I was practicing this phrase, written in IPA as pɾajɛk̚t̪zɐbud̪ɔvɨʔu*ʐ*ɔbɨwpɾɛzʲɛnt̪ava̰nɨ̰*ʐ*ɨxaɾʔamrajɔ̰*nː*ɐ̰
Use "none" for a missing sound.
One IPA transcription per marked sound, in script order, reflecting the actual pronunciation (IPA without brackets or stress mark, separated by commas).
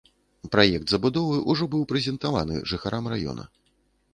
ʐ, ʐ, n